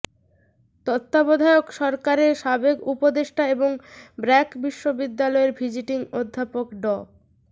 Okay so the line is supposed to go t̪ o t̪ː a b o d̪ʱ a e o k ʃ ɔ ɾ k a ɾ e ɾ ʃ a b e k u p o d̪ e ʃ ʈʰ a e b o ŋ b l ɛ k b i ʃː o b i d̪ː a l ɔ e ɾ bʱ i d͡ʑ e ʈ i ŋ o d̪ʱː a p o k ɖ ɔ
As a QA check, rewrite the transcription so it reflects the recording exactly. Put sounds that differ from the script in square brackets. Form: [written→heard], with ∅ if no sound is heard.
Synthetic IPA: t̪ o t̪ː a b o d̪ʱ a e o k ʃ ɔ ɾ k a ɾ e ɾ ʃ a b e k u p o d̪ e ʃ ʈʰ a e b o ŋ b [l→ɾ] ɛ k b i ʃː o b i d̪ː a l ɔ e ɾ bʱ i d͡ʑ [e→i] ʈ i ŋ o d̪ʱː a p o k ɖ ɔ